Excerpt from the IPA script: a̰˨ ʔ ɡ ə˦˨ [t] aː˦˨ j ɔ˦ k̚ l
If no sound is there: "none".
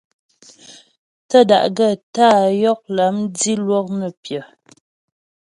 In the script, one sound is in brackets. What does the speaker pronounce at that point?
t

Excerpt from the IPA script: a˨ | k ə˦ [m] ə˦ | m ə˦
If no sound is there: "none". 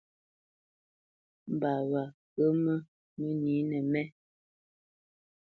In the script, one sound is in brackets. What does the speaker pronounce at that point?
m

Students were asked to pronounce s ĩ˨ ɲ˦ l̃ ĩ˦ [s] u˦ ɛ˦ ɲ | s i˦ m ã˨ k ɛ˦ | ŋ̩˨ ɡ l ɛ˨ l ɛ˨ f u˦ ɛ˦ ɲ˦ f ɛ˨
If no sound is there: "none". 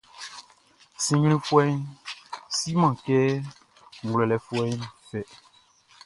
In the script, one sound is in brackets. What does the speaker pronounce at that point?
f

